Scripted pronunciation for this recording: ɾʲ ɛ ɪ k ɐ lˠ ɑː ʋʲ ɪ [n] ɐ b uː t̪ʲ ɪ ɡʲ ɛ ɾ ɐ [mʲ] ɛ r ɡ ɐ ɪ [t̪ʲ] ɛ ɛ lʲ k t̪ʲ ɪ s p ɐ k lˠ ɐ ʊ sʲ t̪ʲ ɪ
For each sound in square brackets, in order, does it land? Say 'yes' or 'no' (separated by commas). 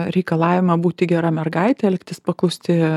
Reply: no, yes, yes